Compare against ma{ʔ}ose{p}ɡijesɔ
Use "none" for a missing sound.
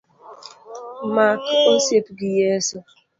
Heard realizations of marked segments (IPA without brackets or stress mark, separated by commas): k, p